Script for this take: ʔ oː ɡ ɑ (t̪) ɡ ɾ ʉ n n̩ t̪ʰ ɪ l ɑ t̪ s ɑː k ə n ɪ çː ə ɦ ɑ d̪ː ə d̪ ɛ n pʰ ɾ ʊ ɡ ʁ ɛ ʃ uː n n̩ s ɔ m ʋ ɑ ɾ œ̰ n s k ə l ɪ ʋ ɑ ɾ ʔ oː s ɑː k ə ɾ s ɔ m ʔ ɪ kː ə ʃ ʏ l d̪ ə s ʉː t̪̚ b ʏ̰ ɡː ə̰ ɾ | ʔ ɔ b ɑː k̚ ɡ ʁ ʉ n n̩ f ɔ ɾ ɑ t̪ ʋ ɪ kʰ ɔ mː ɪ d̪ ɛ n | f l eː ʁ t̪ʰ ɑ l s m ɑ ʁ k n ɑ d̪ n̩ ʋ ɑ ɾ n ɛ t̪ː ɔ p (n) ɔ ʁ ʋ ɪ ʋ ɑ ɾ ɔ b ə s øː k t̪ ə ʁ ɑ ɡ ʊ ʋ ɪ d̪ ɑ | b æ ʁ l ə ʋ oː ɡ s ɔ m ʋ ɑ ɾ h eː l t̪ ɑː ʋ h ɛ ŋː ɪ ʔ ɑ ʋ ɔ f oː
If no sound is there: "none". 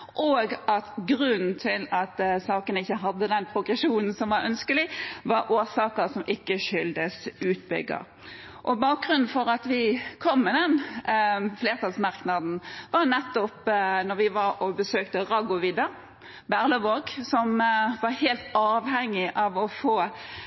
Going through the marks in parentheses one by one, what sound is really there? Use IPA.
t̪, n

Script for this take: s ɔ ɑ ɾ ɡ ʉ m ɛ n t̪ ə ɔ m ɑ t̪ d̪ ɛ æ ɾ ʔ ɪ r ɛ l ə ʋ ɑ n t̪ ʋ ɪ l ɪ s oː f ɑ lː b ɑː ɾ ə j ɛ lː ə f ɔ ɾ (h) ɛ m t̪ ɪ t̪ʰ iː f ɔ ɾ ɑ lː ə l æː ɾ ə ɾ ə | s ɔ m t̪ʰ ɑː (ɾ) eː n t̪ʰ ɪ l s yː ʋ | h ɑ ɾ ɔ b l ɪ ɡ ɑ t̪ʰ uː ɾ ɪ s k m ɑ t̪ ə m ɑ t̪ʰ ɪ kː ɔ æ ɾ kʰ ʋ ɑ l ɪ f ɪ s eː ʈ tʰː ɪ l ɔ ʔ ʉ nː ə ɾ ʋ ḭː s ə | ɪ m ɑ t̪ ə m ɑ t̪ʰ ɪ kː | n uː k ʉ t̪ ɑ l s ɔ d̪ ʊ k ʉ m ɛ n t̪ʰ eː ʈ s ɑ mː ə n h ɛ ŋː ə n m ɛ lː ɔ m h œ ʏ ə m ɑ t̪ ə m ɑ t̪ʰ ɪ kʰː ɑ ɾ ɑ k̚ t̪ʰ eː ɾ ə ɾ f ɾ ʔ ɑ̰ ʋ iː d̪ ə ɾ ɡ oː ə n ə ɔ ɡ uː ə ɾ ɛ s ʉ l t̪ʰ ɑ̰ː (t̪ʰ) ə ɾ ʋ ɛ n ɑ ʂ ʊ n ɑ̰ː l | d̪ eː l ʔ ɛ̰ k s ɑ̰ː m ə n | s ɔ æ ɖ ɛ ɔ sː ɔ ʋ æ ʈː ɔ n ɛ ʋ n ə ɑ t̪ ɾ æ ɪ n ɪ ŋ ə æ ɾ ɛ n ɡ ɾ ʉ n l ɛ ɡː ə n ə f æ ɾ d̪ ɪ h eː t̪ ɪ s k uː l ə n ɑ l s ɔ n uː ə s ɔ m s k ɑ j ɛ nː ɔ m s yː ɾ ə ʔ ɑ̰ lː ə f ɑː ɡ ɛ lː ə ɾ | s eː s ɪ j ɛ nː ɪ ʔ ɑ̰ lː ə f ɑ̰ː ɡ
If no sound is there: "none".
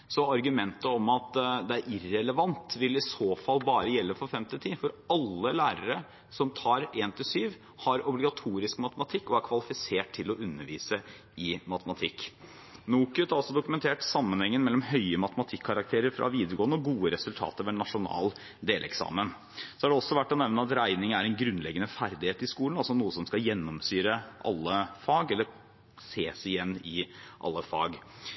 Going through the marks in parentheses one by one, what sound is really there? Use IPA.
f, ɾ, t̪

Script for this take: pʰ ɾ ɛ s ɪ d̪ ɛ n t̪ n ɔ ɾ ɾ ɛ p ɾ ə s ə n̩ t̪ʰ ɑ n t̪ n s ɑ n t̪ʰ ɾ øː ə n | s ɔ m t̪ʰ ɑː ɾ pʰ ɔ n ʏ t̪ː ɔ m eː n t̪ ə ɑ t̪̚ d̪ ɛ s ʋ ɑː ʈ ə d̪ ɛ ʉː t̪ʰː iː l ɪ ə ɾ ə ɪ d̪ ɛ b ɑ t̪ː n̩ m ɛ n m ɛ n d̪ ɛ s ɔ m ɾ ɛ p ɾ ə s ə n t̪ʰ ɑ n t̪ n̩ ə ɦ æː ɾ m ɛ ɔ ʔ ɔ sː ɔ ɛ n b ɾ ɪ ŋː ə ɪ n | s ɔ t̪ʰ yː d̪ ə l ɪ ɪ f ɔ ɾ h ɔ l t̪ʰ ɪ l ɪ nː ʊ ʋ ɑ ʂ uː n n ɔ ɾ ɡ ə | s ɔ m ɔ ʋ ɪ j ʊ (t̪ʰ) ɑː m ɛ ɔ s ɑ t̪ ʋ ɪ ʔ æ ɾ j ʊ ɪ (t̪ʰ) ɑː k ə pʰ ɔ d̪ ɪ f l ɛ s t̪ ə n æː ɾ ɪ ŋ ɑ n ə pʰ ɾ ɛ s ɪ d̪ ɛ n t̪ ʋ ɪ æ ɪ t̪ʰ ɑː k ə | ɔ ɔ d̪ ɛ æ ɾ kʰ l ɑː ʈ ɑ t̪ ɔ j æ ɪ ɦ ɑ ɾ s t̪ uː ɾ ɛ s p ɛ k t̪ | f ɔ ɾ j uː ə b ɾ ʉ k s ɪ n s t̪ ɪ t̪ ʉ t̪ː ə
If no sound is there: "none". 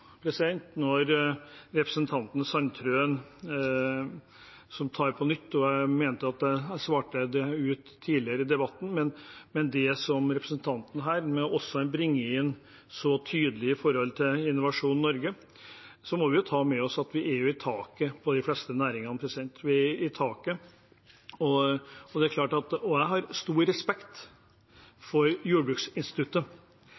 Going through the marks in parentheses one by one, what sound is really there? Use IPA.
t̪ʰ, t̪ʰ

